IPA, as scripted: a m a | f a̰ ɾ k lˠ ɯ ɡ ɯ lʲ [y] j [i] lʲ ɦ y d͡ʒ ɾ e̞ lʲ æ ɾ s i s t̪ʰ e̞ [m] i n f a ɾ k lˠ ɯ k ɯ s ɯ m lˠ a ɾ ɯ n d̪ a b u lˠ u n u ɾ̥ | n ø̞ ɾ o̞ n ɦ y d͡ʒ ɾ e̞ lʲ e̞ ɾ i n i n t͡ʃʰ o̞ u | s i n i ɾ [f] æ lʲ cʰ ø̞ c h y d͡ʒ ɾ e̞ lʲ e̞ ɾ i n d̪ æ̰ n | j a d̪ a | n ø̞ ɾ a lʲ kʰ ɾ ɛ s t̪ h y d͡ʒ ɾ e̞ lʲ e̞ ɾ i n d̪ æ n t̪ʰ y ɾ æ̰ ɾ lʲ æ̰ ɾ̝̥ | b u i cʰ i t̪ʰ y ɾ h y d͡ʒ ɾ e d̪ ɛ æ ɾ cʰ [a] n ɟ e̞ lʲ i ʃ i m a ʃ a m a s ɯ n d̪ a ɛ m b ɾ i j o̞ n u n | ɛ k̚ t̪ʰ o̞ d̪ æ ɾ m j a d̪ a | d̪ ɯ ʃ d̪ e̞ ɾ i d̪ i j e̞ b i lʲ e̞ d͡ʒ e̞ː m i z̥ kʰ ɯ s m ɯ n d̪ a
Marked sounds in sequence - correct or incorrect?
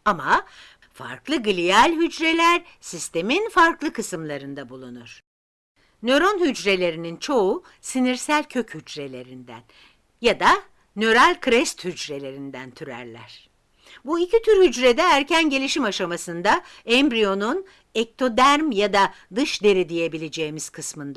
incorrect, incorrect, correct, incorrect, incorrect

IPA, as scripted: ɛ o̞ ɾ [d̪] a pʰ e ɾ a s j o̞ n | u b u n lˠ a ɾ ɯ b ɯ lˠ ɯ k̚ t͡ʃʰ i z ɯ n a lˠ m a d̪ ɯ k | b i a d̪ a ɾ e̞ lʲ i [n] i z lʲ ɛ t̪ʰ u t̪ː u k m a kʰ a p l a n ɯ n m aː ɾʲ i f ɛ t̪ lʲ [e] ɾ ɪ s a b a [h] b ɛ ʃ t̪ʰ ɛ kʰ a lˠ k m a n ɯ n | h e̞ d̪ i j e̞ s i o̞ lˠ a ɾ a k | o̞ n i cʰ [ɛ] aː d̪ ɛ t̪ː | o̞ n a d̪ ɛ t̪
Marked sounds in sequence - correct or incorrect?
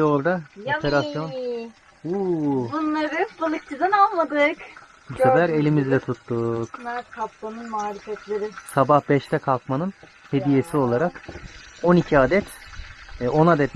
correct, incorrect, correct, correct, incorrect

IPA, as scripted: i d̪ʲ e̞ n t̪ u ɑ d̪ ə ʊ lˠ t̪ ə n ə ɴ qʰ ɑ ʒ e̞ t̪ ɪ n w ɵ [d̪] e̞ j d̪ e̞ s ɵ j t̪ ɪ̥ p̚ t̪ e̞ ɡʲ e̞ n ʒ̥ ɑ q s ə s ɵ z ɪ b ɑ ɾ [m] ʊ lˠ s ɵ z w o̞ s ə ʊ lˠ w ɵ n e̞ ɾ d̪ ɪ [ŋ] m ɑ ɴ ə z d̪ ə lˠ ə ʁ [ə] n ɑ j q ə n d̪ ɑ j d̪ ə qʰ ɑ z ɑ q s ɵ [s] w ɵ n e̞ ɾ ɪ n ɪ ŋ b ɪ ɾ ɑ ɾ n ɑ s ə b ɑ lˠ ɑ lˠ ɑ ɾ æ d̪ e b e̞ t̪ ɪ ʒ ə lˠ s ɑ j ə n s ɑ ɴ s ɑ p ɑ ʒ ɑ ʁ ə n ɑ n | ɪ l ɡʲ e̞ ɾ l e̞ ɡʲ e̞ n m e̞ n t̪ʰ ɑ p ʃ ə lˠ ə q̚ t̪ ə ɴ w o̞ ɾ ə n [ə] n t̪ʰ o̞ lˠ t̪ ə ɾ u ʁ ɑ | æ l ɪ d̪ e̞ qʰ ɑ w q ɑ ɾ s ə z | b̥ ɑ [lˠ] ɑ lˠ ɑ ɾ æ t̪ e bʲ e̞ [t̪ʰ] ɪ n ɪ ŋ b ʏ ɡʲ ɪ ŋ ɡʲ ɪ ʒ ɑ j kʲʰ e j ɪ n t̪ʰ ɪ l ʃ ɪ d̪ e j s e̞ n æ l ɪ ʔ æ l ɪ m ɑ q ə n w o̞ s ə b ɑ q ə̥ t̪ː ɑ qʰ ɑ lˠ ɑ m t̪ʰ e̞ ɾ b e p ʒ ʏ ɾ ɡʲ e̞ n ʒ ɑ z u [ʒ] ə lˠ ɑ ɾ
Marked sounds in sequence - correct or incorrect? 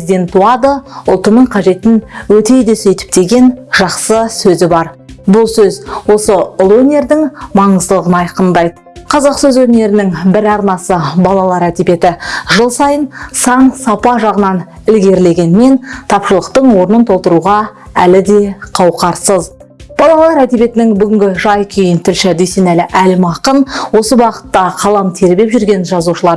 incorrect, incorrect, correct, correct, incorrect, correct, correct, incorrect, incorrect

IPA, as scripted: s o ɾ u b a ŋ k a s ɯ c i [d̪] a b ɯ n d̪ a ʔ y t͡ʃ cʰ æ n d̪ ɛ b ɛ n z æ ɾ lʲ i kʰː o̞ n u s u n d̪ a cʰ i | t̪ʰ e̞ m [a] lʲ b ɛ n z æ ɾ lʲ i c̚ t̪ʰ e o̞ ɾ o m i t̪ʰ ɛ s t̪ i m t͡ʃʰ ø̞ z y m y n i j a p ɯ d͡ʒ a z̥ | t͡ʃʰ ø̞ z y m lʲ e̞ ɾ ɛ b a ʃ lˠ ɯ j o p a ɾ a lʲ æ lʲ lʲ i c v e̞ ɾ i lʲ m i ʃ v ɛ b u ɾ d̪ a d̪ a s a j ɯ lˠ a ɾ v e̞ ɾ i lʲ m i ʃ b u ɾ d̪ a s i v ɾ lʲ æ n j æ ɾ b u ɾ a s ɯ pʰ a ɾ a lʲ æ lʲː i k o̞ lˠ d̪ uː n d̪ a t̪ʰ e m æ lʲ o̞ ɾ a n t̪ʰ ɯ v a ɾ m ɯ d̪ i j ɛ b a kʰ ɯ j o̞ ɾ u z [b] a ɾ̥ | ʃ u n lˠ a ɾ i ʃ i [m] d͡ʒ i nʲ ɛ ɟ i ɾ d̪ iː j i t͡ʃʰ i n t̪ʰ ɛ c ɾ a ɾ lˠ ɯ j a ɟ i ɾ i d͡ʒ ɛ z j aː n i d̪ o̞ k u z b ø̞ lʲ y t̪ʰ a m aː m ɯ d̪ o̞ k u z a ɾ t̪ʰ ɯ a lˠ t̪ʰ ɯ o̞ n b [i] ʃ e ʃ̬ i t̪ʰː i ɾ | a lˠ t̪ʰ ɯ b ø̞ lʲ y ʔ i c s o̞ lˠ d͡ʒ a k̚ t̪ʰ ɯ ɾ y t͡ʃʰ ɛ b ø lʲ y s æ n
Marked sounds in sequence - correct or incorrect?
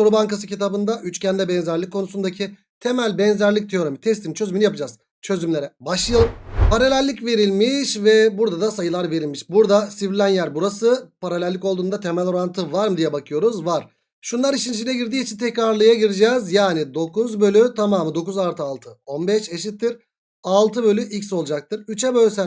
incorrect, incorrect, incorrect, incorrect, incorrect

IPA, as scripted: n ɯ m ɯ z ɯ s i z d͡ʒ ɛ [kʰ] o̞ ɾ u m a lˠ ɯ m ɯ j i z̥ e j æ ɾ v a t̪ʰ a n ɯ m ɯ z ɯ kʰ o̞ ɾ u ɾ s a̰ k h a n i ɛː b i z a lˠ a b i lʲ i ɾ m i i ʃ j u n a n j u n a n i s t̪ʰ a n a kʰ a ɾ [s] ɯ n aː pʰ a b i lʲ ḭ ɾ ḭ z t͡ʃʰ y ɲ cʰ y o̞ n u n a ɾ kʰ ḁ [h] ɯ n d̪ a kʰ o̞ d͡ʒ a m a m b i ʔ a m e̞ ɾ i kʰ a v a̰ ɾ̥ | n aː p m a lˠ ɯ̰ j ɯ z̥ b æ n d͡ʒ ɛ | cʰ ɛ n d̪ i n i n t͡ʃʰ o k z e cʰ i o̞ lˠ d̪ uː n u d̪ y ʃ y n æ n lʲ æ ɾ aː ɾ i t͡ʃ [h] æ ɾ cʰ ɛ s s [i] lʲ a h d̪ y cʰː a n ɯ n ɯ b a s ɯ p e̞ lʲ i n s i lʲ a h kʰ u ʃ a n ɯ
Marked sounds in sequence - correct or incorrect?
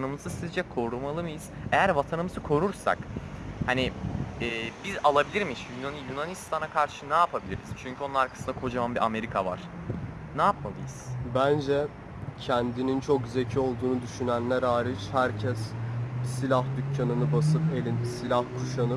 correct, incorrect, incorrect, correct, correct

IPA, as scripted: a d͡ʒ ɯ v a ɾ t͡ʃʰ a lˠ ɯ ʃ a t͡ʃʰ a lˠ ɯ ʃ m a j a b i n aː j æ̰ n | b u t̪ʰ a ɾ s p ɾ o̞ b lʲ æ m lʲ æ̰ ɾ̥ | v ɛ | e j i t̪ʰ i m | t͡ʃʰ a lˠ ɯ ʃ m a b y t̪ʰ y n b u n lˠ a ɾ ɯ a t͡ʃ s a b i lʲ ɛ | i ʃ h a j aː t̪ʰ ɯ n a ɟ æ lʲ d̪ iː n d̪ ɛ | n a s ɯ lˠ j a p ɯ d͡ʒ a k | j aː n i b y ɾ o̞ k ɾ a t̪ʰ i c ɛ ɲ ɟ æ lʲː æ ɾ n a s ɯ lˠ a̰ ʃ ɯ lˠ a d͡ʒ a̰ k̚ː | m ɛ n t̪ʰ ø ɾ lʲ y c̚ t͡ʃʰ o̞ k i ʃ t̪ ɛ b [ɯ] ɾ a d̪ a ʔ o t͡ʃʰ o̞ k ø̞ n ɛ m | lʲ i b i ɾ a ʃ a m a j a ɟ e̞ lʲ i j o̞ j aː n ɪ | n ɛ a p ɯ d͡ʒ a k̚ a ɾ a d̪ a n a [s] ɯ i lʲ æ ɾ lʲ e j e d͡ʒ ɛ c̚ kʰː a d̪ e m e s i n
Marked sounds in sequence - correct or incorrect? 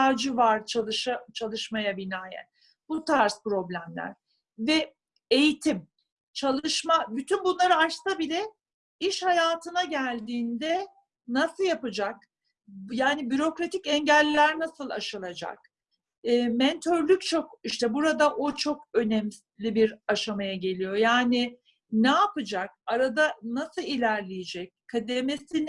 incorrect, correct

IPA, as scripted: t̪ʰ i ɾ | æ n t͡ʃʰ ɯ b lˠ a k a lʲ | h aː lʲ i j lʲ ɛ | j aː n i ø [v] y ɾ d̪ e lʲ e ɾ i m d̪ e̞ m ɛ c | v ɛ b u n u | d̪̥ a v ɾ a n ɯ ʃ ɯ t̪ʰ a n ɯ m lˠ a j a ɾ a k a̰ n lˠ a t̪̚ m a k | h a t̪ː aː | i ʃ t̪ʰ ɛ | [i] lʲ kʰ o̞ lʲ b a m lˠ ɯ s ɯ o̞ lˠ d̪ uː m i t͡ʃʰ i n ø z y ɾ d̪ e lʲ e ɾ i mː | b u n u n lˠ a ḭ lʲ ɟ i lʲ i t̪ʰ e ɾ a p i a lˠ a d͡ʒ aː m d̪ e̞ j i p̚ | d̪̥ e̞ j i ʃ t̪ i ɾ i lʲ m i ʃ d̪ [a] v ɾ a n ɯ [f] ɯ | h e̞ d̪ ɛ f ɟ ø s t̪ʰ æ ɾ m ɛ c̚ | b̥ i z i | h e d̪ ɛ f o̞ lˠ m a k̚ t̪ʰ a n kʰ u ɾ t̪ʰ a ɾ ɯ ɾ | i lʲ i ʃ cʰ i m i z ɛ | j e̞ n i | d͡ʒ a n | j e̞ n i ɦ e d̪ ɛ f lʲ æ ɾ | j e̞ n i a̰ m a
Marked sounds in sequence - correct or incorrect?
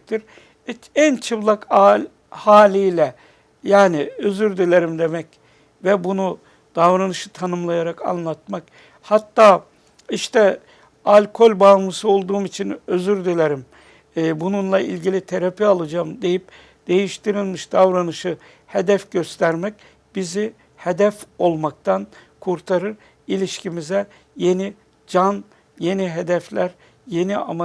incorrect, incorrect, correct, incorrect

